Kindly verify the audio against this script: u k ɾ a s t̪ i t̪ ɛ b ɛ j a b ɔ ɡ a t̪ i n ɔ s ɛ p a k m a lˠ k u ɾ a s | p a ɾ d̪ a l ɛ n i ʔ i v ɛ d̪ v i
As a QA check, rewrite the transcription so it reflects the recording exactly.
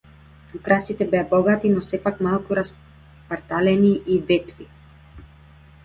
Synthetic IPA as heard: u k ɾ a s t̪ i t̪ ɛ b ɛ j a b ɔ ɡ a t̪ i n ɔ s ɛ p a k m a lˠ k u ɾ a s | p a ɾ t̪ a l ɛ n i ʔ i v ɛ t̪ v i